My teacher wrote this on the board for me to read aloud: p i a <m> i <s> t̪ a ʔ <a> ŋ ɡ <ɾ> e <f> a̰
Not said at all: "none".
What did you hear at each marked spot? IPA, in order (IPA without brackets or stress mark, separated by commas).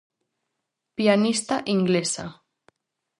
n, s, i, l, s